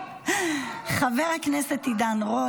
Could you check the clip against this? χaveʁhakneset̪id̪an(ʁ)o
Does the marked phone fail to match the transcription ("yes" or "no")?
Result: no